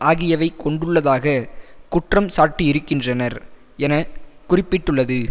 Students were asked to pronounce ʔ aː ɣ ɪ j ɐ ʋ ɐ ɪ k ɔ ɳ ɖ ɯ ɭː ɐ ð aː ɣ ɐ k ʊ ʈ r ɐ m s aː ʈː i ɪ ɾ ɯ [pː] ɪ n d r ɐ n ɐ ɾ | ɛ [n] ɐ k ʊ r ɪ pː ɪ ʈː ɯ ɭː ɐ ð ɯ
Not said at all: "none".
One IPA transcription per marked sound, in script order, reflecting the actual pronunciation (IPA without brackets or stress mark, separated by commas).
kː, n